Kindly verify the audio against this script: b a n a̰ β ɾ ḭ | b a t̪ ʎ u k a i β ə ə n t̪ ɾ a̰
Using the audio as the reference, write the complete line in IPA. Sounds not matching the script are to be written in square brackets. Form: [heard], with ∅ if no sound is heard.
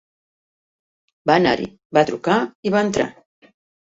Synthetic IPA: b a n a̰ [∅] ɾ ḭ | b a t̪ [ɾ] u k a i β [a] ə n t̪ ɾ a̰